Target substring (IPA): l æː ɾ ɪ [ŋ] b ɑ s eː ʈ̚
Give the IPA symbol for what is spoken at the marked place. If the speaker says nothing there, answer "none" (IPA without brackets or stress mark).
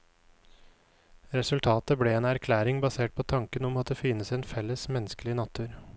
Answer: ŋ